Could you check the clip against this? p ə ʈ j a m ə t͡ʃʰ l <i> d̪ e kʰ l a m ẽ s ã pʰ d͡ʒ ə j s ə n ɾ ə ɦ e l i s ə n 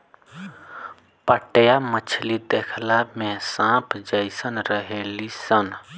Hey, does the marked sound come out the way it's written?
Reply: yes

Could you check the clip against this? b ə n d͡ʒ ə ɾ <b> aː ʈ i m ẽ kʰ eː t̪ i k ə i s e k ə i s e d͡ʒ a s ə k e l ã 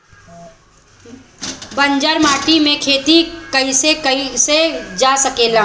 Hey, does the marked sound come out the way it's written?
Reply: no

